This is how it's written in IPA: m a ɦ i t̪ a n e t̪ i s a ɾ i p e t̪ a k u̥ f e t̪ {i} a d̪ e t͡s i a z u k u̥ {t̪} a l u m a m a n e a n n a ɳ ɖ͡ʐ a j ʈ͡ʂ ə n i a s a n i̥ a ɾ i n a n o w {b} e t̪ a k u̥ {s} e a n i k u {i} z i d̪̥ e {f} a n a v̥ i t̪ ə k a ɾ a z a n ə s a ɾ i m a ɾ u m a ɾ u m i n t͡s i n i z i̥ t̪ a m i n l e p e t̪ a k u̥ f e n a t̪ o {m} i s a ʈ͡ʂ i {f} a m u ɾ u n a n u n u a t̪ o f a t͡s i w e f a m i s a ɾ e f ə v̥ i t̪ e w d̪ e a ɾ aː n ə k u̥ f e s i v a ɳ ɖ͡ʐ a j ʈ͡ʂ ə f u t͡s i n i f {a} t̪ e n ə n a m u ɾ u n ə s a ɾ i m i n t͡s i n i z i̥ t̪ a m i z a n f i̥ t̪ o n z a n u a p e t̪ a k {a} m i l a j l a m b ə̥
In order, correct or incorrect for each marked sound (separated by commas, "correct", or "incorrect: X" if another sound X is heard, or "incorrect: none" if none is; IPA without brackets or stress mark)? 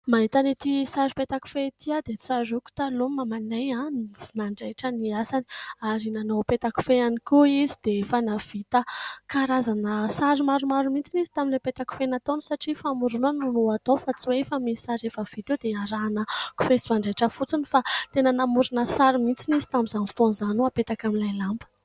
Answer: correct, correct, incorrect: p, incorrect: f, correct, correct, incorrect: n, correct, correct, correct